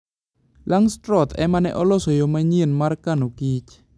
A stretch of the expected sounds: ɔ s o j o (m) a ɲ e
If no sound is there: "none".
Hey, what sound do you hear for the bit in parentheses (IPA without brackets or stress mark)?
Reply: m